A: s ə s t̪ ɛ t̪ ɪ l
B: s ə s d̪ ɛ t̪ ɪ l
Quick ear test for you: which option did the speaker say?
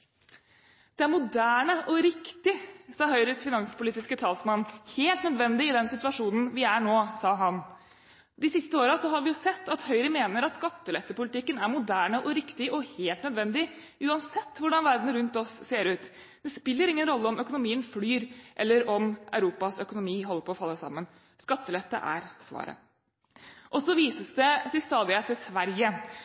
B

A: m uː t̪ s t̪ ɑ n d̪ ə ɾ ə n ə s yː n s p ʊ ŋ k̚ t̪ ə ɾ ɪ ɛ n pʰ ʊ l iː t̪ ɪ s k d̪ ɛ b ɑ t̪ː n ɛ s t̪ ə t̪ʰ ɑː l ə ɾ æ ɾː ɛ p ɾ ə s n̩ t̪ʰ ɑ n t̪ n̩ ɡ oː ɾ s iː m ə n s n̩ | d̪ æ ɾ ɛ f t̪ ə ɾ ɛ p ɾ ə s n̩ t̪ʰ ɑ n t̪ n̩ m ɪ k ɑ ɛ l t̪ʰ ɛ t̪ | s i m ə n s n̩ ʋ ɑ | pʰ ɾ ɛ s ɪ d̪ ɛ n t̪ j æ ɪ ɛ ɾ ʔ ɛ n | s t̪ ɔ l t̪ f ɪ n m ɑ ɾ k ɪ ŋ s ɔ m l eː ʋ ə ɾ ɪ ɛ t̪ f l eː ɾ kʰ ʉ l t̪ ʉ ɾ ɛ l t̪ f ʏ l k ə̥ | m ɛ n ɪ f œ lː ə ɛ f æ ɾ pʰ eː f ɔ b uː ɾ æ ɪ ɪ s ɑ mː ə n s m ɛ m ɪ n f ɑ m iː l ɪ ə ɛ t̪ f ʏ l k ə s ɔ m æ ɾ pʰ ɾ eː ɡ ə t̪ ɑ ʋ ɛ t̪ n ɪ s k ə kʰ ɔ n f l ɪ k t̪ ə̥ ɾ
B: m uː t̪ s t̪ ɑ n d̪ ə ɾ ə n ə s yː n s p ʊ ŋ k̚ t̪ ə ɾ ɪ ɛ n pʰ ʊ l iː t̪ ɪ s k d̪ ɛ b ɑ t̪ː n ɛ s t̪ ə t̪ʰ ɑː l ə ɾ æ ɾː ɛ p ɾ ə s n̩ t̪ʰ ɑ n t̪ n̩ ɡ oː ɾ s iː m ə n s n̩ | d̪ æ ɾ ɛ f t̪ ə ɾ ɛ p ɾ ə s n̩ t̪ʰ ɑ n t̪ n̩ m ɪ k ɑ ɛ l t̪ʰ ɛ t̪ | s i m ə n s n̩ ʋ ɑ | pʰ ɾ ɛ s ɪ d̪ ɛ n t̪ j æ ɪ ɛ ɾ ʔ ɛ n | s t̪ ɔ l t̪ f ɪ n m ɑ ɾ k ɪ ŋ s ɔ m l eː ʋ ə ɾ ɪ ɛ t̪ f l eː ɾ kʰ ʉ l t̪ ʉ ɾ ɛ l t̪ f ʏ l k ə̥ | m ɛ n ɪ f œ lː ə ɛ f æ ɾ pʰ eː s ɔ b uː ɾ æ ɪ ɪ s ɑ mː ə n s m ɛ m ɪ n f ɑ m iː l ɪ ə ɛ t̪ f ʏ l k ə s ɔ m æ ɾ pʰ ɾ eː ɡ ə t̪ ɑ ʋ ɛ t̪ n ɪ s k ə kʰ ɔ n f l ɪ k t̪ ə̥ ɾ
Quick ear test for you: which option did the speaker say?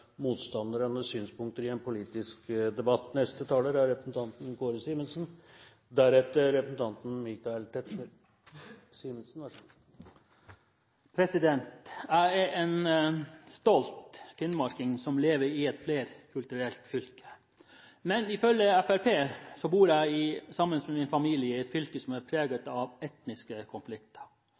B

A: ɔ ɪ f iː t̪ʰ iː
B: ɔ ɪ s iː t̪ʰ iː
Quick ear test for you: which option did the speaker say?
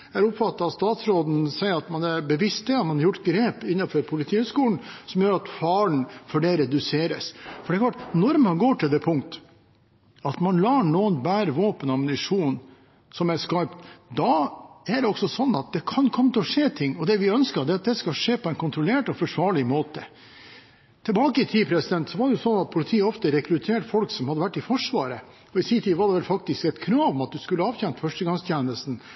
B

